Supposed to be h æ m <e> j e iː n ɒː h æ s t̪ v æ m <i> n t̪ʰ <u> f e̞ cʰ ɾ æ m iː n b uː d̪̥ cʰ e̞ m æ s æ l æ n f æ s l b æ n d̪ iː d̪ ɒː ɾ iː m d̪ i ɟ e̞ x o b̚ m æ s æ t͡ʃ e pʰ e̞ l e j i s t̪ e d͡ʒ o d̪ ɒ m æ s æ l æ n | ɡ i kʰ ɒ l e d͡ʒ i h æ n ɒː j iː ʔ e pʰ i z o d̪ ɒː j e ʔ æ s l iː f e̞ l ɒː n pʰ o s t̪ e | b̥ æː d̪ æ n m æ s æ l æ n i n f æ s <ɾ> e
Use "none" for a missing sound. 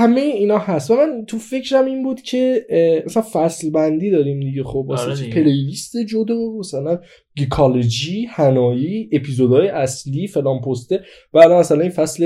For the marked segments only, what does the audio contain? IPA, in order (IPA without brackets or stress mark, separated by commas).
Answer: e, æ, u, l